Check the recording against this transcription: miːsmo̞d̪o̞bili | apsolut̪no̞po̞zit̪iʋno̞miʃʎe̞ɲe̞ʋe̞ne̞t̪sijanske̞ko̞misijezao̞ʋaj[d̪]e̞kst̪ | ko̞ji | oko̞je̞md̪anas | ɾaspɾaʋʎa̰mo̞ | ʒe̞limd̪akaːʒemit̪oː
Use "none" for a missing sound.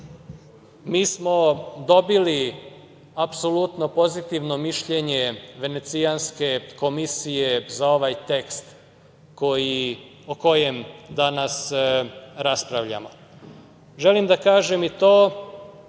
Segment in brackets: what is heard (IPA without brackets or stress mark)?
t̪